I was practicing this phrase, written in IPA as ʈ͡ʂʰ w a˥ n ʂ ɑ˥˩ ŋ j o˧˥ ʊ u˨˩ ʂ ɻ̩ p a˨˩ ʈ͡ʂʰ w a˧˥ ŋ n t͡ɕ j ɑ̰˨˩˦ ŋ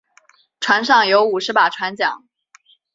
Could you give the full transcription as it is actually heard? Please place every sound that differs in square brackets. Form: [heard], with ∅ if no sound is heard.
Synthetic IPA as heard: ʈ͡ʂʰ w [a˧˥] n ʂ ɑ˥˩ ŋ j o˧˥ ʊ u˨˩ ʂ ɻ̩ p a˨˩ ʈ͡ʂʰ w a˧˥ [∅] n t͡ɕ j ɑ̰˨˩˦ ŋ